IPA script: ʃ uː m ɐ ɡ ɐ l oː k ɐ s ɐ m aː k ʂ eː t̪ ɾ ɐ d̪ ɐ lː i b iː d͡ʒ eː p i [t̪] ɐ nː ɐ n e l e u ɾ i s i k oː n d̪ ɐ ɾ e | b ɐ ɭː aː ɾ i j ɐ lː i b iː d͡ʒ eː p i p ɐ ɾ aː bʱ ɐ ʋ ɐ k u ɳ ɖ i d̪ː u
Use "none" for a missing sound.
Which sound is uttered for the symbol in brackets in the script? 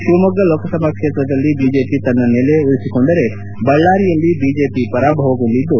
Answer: t̪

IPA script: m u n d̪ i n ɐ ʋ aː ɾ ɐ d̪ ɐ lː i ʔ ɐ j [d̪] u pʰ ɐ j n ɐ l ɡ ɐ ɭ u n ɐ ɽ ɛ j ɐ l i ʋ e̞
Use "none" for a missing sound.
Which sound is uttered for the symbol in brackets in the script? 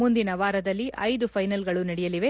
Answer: d̪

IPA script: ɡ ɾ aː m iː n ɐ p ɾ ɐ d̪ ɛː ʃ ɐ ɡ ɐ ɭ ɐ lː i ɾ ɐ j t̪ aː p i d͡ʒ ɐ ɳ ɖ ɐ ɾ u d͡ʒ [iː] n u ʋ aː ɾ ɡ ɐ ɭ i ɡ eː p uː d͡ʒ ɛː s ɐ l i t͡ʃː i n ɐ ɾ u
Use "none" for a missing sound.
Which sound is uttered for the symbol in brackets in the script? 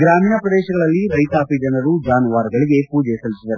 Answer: aː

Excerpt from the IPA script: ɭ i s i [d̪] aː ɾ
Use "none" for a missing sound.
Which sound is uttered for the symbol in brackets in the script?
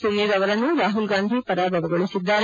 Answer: d̪ː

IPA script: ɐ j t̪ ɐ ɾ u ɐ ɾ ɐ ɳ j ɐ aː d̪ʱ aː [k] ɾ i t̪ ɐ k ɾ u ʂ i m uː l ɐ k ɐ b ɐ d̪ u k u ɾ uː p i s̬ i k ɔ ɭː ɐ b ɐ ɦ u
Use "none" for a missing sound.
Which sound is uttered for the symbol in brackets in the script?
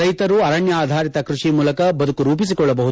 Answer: none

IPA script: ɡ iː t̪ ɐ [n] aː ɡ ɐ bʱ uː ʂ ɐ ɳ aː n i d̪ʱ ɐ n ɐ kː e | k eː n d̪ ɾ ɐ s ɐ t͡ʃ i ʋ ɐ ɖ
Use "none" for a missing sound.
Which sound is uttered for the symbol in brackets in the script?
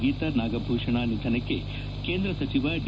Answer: n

